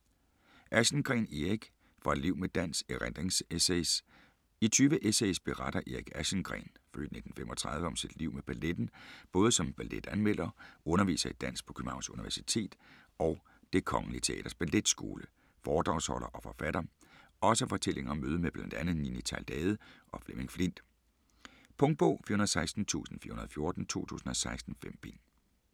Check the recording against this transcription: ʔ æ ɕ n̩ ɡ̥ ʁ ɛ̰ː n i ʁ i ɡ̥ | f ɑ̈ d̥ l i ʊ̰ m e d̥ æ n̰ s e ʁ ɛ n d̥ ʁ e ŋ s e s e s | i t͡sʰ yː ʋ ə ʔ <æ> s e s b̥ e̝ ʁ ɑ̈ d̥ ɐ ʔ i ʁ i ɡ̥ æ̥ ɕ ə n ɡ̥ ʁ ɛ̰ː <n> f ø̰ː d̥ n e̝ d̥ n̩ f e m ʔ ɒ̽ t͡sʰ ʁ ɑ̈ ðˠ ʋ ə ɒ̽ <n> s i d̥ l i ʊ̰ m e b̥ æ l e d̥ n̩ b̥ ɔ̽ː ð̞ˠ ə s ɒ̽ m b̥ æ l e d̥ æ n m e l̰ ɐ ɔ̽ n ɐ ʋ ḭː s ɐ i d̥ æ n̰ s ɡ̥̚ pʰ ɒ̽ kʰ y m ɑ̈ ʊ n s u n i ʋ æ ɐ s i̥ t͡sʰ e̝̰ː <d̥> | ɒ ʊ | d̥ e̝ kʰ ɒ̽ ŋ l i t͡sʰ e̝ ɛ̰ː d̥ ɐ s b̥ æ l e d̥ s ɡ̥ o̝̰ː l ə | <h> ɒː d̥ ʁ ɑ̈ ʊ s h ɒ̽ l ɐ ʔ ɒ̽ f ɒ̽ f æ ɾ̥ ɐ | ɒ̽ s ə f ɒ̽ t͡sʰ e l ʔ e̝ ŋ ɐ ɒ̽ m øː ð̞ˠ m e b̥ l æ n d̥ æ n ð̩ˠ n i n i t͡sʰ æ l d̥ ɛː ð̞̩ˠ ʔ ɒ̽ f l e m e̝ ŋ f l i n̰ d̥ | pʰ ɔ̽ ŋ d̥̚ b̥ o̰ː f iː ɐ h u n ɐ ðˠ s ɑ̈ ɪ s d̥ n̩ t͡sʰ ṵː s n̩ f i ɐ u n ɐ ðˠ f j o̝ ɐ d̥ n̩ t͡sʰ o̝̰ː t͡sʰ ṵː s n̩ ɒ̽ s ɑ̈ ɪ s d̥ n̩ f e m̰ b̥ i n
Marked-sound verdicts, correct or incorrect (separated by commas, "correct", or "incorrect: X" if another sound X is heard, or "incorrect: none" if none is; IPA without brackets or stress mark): incorrect: e, correct, incorrect: m, correct, incorrect: f